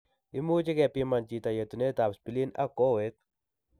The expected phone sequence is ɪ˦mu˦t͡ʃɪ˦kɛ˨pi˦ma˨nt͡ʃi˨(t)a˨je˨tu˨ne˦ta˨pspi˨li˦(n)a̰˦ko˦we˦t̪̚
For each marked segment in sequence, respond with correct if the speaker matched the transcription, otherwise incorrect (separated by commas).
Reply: correct, correct